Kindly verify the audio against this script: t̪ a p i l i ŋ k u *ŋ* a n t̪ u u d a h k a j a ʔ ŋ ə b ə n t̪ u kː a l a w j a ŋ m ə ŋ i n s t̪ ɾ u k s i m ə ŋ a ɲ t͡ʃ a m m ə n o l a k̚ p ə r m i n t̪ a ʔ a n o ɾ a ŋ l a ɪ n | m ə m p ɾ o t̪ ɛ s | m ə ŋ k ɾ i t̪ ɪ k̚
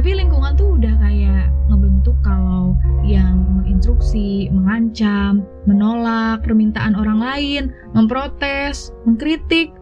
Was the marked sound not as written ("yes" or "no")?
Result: no